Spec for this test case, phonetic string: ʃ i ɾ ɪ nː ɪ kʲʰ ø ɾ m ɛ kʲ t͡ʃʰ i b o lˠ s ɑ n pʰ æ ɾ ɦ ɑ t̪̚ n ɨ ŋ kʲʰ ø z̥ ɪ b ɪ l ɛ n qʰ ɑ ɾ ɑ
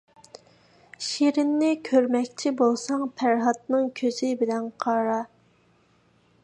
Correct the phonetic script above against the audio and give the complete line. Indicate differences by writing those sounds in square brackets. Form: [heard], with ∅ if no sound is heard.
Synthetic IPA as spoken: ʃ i ɾ ɪ nː ɪ kʲʰ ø ɾ m ɛ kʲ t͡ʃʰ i b o lˠ s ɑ [ŋ] pʰ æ ɾ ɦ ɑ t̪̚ n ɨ ŋ kʲʰ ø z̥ ɪ b ɪ l ɛ n qʰ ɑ ɾ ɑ